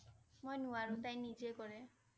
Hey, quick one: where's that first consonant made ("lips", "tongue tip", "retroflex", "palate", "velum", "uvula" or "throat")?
lips